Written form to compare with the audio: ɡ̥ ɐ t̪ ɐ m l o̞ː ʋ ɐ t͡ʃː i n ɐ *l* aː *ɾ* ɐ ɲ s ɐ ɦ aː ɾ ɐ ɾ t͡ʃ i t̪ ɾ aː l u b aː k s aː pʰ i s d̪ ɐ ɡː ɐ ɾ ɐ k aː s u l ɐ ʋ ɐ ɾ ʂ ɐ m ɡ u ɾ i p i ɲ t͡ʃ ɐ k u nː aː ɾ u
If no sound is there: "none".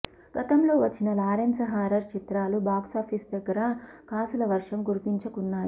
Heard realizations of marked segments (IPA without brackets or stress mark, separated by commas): l, ɾ